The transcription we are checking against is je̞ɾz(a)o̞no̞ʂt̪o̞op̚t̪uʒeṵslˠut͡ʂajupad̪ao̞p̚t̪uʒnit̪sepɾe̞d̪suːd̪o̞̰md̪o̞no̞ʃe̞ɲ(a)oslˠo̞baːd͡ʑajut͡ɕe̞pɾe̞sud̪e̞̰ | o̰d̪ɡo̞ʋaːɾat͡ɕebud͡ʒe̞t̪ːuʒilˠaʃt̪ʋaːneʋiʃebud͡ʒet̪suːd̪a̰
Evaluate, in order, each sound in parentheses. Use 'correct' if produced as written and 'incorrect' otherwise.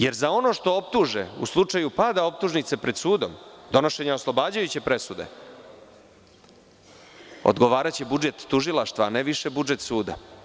correct, correct

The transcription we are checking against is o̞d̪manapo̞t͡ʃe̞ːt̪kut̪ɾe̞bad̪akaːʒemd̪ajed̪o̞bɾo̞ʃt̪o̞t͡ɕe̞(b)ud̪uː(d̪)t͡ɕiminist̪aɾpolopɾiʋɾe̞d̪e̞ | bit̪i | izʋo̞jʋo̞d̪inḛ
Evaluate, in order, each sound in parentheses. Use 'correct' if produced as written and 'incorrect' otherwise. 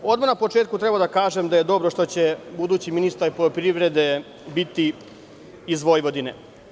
correct, incorrect: none

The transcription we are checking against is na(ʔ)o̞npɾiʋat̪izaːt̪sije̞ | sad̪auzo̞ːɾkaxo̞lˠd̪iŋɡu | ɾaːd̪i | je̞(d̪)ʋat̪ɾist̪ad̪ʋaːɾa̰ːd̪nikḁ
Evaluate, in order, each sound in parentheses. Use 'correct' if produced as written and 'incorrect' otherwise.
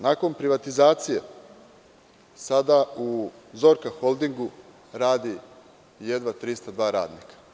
incorrect: k, correct

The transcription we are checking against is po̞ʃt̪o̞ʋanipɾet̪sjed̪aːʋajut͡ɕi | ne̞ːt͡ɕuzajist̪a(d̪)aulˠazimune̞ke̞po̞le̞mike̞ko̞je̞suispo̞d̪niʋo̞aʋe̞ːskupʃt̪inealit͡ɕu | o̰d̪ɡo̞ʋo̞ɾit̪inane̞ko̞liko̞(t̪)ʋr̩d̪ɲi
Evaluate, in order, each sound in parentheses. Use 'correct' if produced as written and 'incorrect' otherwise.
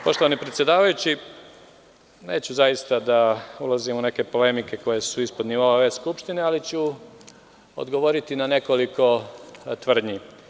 correct, correct

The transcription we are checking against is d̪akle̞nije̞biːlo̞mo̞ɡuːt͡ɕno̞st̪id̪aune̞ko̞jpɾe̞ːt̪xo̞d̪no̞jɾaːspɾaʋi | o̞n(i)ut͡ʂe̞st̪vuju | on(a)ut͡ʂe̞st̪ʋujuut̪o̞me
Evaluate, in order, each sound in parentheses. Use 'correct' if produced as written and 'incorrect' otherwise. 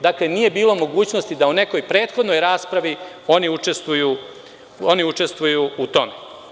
correct, incorrect: i

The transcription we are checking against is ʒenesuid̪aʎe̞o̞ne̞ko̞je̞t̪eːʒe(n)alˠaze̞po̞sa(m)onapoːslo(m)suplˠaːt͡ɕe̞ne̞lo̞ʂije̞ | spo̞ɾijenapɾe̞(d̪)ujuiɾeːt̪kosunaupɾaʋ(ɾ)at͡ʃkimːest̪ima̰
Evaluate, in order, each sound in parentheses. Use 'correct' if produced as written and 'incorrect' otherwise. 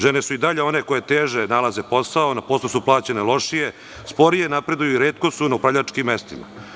correct, incorrect: none, incorrect: none, correct, incorrect: ʎ

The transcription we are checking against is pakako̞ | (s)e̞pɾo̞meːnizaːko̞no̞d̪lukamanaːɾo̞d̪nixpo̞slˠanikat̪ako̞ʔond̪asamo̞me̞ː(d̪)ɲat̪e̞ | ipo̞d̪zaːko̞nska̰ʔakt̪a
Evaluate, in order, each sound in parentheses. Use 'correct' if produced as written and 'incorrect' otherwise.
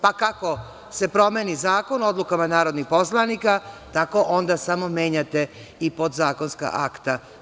correct, incorrect: none

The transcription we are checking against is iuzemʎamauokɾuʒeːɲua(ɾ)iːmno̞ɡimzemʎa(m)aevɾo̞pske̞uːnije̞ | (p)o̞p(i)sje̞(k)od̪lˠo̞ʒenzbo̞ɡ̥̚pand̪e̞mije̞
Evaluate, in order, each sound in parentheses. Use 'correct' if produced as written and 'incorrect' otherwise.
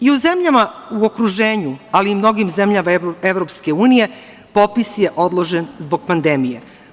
incorrect: l, correct, correct, correct, incorrect: ʔ

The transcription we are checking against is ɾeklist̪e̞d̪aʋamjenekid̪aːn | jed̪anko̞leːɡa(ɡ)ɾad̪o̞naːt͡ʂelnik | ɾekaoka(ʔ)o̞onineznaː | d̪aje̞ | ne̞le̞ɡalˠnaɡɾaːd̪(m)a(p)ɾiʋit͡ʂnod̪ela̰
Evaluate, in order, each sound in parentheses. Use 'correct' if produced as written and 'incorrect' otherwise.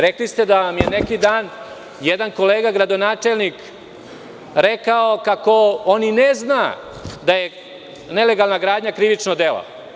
correct, incorrect: k, incorrect: ɲ, incorrect: k

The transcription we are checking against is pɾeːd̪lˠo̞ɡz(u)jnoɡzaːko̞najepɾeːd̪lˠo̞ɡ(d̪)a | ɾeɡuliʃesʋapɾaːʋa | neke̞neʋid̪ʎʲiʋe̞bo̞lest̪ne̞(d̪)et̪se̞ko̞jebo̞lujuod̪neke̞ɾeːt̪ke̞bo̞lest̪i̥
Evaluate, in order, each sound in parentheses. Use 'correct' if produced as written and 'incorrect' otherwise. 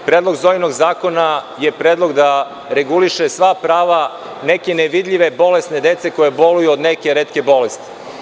incorrect: o, correct, correct

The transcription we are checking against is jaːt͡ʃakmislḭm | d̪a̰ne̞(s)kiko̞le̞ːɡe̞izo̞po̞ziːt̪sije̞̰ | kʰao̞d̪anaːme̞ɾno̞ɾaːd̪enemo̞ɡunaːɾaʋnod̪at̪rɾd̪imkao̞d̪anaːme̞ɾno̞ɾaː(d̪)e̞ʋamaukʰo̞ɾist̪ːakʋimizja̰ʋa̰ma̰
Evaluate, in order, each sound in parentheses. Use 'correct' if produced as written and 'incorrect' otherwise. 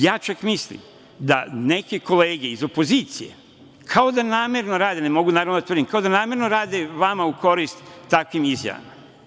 incorrect: none, correct

